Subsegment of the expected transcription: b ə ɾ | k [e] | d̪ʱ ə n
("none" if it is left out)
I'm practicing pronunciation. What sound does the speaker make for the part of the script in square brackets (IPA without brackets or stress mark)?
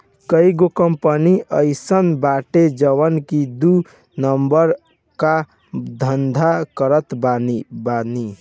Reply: a